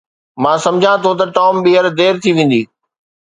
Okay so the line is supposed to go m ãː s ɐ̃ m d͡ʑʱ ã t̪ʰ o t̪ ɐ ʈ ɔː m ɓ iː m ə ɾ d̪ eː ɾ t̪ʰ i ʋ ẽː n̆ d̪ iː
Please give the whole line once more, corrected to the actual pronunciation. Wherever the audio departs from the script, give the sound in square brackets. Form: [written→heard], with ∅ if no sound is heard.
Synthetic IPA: m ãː s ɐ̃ m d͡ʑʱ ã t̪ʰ o t̪ ɐ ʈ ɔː m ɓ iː [m→∅] ə ɾ d̪ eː ɾ t̪ʰ i ʋ ẽː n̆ d̪ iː

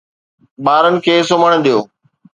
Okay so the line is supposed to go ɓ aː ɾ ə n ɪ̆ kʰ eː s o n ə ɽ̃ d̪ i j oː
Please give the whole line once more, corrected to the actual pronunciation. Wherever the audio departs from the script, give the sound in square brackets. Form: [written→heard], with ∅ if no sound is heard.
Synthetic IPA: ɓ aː ɾ ə n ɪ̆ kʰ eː s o [n→m] ə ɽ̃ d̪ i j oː

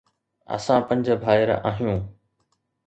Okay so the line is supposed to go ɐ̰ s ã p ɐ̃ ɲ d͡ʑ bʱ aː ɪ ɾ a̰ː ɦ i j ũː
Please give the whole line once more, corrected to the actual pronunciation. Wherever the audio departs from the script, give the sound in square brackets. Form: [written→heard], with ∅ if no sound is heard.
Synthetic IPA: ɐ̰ s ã p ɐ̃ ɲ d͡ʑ bʱ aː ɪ ɾ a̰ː ɦ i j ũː

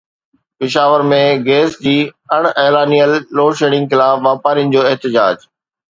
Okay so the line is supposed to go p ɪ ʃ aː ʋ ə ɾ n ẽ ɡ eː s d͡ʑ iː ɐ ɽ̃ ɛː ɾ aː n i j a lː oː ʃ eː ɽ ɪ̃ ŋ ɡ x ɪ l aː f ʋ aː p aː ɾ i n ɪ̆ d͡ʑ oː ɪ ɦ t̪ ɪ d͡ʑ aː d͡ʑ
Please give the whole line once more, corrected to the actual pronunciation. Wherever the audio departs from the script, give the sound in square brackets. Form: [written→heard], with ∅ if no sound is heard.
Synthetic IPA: p ɪ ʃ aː ʋ ə ɾ [n→m] ẽ ɡ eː s d͡ʑ iː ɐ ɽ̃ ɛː [ɾ→l] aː n i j [a→ə] lː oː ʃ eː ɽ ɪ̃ ŋ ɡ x ɪ l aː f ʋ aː p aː ɾ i n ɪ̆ d͡ʑ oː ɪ ɦ t̪ ɪ d͡ʑ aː d͡ʑ

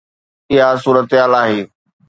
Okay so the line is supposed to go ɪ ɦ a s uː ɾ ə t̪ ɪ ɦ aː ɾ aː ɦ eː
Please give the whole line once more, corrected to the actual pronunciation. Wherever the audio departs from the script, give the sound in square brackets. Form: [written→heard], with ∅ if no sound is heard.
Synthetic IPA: ɪ ɦ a s uː ɾ ə t̪ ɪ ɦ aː [ɾ→l] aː ɦ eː

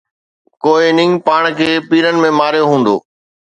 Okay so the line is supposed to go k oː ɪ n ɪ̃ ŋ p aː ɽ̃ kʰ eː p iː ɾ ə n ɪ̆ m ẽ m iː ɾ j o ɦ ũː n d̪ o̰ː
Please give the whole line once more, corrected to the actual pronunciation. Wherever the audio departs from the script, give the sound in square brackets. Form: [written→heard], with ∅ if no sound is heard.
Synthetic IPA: k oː ɪ n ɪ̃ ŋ p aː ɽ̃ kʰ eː p iː ɾ ə n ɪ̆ m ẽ m [iː→aː] ɾ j o ɦ ũː n d̪ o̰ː

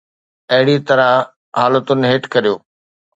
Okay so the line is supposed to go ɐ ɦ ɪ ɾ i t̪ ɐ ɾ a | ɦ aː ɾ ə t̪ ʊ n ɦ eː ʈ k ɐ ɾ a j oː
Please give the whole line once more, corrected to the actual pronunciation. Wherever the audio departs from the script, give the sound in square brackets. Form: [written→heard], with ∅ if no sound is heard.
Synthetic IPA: ɐ ɦ ɪ [ɾ→ɽ] i t̪ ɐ ɾ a | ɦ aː [ɾ→l] ə t̪ ʊ n ɦ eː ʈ k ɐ ɾ [a→i] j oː

